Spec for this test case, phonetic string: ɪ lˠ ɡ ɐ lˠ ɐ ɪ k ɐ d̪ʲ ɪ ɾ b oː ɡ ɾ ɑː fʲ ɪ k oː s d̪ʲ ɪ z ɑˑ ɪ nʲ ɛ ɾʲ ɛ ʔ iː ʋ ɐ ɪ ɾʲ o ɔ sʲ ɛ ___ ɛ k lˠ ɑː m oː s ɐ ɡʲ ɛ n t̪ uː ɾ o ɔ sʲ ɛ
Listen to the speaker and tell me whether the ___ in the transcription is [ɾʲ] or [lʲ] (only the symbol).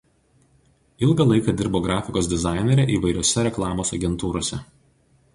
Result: ɾʲ